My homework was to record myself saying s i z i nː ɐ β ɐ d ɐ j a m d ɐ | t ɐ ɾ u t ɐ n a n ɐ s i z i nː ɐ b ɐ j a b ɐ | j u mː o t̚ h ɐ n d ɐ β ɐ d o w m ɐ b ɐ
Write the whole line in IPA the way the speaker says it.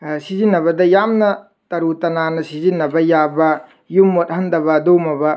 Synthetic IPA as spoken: s i z i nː ɐ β ɐ d ɐ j a m n ɐ | t ɐ ɾ u t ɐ n a n ɐ s i z i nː ɐ b ɐ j a b ɐ | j u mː o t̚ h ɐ n d ɐ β ɐ d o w m ɐ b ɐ